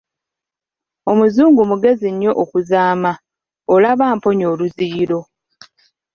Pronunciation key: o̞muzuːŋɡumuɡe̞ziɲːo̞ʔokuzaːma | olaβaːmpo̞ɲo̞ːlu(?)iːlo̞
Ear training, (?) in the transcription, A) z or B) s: A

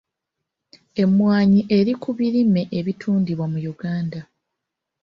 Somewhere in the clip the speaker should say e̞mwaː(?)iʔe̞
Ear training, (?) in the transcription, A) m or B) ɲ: B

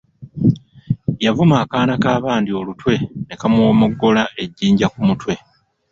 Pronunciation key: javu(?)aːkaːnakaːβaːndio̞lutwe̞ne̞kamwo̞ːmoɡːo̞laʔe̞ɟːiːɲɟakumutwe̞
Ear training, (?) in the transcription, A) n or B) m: B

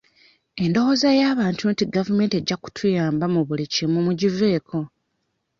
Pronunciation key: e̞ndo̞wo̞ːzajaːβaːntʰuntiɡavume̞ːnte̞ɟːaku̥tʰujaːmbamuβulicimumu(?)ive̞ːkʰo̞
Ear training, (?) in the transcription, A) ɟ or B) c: A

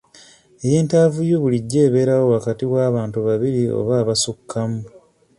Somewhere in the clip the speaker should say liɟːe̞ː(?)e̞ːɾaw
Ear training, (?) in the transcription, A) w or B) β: B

